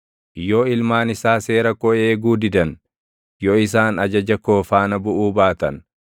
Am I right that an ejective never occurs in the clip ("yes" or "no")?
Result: yes